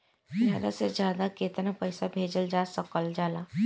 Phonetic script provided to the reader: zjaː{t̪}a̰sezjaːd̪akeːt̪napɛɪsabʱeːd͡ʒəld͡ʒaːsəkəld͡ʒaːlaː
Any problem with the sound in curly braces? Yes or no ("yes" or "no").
yes